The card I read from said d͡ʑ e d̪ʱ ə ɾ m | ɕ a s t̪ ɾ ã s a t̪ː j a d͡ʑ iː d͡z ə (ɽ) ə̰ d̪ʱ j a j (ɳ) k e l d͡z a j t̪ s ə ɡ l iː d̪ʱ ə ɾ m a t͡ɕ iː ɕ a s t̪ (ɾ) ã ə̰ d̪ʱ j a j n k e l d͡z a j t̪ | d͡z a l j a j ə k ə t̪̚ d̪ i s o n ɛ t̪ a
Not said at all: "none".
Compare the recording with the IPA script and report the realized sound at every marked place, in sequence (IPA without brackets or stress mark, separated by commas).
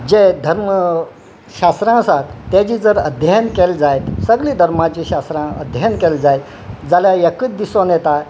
ɾ, n, ɾ